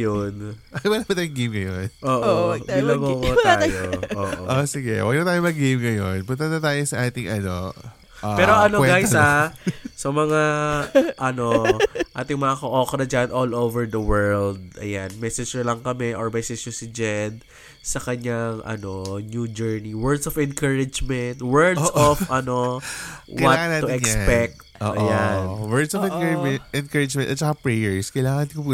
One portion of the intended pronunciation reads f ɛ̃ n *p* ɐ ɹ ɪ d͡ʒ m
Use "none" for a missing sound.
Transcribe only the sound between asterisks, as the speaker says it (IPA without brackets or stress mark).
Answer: k